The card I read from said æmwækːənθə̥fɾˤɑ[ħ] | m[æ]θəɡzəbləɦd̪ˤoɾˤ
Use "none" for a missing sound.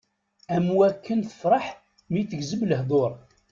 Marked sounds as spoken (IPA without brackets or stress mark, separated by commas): ħ, i